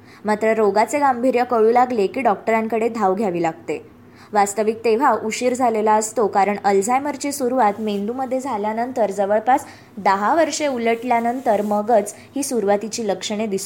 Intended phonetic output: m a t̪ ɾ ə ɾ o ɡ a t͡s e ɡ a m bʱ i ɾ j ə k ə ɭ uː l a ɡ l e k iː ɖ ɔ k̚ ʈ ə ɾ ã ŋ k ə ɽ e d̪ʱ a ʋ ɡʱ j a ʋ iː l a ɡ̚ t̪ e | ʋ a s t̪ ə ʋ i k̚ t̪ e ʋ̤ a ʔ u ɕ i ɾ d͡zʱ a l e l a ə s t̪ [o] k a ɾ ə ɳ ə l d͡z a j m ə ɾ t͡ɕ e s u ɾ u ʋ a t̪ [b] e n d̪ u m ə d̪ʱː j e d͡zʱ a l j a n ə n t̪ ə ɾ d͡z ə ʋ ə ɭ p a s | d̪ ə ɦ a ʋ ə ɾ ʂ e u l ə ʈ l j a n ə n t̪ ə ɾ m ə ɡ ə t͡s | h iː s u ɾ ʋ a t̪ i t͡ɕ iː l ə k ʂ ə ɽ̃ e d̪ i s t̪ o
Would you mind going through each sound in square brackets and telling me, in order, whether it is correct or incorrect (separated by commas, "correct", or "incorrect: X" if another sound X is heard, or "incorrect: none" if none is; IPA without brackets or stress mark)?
correct, incorrect: m